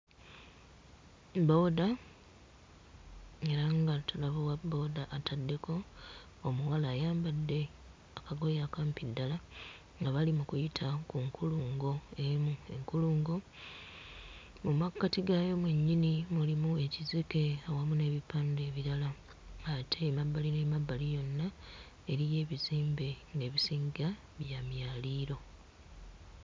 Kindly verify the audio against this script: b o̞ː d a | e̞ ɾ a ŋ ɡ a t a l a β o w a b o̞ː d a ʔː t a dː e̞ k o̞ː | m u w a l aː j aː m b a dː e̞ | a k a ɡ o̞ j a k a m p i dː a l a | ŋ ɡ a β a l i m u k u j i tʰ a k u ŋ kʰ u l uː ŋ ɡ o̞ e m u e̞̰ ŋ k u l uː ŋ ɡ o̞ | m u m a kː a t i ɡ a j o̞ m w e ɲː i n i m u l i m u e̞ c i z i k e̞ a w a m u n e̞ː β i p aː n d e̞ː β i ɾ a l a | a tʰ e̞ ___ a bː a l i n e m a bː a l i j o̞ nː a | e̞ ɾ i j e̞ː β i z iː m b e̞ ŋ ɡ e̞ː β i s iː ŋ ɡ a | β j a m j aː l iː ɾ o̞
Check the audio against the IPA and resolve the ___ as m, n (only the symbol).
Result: m